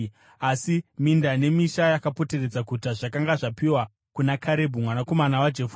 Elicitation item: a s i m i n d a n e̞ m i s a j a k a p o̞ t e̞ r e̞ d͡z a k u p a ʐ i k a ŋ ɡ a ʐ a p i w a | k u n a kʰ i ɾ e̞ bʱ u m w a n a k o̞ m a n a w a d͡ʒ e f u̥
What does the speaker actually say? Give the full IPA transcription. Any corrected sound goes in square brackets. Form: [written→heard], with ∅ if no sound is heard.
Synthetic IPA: a s i m i n d a n e̞ m i [s→ʃ] a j a k a p o̞ t e̞ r e̞ d͡z a k u [p→t] a ʐ [i→a] k a ŋ ɡ a ʐ a p i w a | k u n a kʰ [i→a] ɾ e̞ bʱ u m w a n a k o̞ m a n a w a d͡ʒ e f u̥

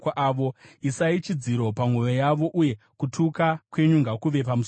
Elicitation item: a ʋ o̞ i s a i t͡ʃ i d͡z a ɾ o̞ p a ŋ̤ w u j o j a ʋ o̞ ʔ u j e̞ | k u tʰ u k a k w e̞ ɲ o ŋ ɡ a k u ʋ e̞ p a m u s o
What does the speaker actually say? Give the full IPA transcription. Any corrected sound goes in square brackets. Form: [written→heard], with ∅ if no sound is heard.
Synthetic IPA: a ʋ o̞ i s a i t͡ʃ i d͡z [a→i] ɾ o̞ p a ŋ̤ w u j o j a ʋ o̞ ʔ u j e̞ | k u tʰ u k a k w e̞ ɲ [o→u] ŋ ɡ a k u ʋ e̞ p a m u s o

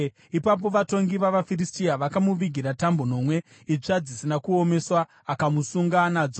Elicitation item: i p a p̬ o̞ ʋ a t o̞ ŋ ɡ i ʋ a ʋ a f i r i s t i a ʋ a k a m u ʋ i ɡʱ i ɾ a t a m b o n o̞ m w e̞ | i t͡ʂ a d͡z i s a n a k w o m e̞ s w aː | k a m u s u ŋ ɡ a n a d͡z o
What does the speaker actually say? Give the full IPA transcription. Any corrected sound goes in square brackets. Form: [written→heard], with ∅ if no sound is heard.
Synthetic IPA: i p a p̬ o̞ ʋ a t o̞ ŋ ɡ i ʋ a ʋ a f i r i s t i a ʋ a k a m u ʋ i ɡʱ i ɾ a t a m b o n o̞ m w e̞ | i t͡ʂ a d͡z i s [a→i] n a k [w→u] o m e̞ s w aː | k a m u s u ŋ ɡ a n a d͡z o

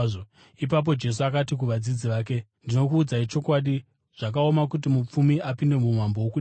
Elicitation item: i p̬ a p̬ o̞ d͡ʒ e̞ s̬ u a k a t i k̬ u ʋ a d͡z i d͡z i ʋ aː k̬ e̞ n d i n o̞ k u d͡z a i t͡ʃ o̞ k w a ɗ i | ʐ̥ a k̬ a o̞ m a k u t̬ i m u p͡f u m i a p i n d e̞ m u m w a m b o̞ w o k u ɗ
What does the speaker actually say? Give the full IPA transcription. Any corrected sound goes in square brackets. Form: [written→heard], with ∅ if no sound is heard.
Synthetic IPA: i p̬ a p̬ o̞ d͡ʒ e̞ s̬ u a k a t i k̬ u ʋ a d͡z i d͡z i ʋ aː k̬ e̞ n d i n o̞ k [u→uː] d͡z a i t͡ʃ o̞ k w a ɗ i | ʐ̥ a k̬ a o̞ m a k u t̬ i m u p͡f u m i a p i n d e̞ m u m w a m b o̞ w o k u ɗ

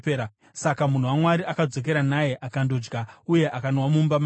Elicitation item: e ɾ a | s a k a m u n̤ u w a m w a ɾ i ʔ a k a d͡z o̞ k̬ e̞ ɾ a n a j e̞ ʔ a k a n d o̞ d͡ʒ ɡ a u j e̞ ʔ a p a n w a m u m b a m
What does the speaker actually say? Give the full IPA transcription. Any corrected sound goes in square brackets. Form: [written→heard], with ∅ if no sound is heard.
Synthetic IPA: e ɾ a | s a k a m u n̤ u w a m w a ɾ i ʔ a k a d͡z o̞ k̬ e̞ ɾ a n a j e̞ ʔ a k a n d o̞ d͡ʒ ɡ a u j e̞ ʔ a [p→k] a n w a m u m b a m

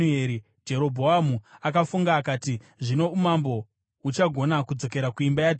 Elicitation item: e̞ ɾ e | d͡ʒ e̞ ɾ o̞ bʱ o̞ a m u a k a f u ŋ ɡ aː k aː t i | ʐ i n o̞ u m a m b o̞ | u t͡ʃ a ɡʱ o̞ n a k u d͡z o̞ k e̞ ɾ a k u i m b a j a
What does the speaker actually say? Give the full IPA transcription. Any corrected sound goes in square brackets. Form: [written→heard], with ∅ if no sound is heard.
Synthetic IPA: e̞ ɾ [e→i] | d͡ʒ e̞ ɾ o̞ bʱ o̞ a m u a k a f u ŋ ɡ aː k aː t i | ʐ i n o̞ u m a m b o̞ | u t͡ʃ a ɡʱ o̞ n a k u d͡z o̞ k e̞ ɾ a k u i m b a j a

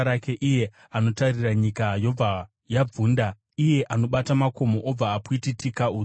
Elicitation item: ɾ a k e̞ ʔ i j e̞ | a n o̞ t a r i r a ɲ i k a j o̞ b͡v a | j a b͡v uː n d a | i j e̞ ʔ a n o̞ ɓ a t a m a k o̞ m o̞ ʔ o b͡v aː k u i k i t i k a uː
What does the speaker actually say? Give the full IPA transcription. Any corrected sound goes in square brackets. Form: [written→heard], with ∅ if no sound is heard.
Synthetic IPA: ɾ a k e̞ ʔ i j e̞ | a n o̞ t a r i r a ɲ i k a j o̞ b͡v a | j a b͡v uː n d a | i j e̞ ʔ a n o̞ ɓ a t a m a k o̞ m o̞ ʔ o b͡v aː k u i [k→t] i t i k a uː

